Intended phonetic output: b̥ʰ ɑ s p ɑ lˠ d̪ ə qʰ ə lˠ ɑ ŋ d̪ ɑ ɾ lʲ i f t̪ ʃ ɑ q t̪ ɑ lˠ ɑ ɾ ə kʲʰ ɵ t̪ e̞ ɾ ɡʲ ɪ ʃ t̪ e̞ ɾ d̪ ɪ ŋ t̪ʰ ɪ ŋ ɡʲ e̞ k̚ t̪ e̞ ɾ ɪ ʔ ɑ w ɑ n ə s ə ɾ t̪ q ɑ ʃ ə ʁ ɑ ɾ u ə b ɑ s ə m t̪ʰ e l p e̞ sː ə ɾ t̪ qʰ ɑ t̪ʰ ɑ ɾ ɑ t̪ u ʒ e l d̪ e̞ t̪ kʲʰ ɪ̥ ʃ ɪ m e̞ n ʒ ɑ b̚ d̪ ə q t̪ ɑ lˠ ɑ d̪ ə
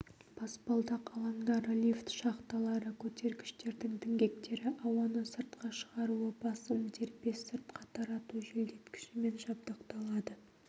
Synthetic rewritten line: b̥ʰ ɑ s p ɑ lˠ d̪ ɑ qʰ ɑ lˠ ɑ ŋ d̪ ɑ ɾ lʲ i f t̪ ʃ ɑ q t̪ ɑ lˠ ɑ ɾ ə kʲʰ ɵ t̪ e̞ ɾ ɡʲ ɪ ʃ t̪ e̞ ɾ d̪ ɪ ŋ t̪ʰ ɪ ŋ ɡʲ e̞ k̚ t̪ e̞ ɾ ɪ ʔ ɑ w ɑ n ə s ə ɾ t̪ q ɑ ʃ ə ʁ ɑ ɾ u ə b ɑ s ə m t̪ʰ e ɾ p e̞ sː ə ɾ t̪ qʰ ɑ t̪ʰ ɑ ɾ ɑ t̪ u ʒ e l d̪ e̞ t̪ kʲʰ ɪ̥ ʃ ɪ m e̞ n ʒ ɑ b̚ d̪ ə q t̪ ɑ lˠ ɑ d̪ ə